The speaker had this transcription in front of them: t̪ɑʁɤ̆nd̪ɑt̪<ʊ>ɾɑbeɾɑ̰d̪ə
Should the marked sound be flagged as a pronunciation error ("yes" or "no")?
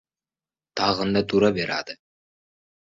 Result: yes